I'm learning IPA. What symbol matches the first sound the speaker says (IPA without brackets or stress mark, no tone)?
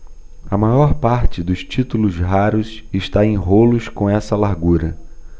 ɐ